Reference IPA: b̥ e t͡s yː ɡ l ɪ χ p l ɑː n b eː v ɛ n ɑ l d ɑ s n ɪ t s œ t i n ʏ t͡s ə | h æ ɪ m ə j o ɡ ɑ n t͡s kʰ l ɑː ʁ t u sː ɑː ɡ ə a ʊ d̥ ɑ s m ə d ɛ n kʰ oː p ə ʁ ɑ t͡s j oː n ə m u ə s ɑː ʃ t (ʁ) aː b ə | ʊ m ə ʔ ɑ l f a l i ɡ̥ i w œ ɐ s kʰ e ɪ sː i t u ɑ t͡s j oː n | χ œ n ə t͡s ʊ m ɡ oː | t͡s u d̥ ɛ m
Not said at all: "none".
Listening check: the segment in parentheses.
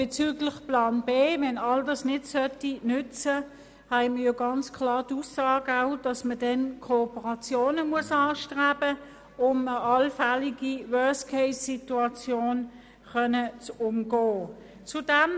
ʁ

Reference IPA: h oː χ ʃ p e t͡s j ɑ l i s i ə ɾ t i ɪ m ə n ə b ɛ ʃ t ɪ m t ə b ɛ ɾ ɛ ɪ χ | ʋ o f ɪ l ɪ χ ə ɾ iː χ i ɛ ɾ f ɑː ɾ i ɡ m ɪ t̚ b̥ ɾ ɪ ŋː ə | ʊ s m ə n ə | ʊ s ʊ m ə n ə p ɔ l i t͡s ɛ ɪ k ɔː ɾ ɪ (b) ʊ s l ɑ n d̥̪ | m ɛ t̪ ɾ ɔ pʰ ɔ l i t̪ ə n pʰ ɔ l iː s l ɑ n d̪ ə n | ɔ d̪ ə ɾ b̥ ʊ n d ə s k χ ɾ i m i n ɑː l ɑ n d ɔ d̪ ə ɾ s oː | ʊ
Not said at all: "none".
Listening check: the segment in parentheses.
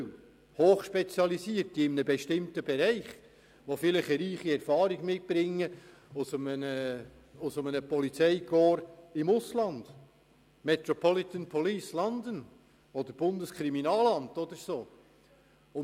m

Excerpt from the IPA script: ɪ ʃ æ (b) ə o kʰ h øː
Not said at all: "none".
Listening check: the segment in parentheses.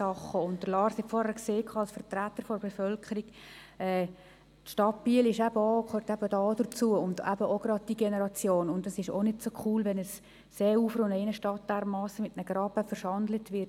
b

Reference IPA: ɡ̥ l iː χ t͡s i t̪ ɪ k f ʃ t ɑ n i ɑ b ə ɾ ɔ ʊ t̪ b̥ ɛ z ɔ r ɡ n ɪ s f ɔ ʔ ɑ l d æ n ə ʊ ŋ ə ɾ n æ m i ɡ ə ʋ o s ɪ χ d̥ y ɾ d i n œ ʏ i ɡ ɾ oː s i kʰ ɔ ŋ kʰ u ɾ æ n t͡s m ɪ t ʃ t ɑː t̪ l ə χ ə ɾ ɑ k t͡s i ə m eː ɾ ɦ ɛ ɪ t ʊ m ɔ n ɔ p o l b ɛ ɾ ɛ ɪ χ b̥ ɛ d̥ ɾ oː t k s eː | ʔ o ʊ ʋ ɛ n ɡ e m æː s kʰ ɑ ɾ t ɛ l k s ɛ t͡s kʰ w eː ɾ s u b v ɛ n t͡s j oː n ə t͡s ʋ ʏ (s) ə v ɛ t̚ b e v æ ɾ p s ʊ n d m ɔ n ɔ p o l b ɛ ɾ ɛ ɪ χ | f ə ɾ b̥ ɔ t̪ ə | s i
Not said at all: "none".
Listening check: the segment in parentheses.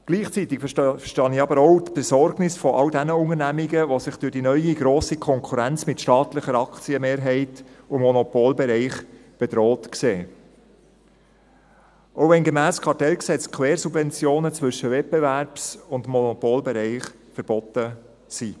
ʃ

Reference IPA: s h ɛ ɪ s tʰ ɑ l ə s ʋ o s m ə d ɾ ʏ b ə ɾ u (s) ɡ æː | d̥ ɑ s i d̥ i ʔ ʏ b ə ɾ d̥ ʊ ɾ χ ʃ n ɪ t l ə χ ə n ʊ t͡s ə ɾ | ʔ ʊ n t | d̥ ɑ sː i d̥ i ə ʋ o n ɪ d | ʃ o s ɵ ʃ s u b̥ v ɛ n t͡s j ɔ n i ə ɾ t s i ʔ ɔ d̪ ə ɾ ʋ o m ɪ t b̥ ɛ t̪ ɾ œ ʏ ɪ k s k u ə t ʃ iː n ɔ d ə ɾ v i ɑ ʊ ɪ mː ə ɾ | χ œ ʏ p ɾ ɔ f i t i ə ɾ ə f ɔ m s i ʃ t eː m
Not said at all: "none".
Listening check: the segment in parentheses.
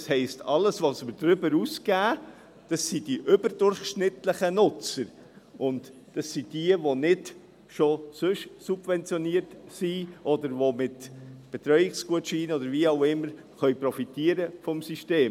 s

